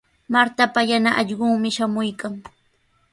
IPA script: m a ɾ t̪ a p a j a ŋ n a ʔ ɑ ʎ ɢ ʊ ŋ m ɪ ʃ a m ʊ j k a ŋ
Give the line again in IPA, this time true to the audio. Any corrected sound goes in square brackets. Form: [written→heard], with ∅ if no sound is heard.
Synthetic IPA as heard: m a ɾ t̪ a p a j a [ŋ→∅] n a ʔ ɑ ʎ ɢ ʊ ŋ m ɪ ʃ a m ʊ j k a ŋ